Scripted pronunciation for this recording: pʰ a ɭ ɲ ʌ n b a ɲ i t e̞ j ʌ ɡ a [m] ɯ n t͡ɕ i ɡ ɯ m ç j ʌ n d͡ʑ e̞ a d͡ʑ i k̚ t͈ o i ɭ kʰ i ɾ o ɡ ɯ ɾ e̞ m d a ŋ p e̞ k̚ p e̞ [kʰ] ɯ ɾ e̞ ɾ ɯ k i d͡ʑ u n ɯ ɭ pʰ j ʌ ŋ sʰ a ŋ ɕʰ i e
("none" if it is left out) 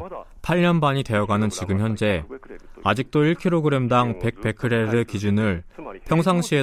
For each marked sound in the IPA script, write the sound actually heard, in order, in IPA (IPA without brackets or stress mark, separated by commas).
n, kʰ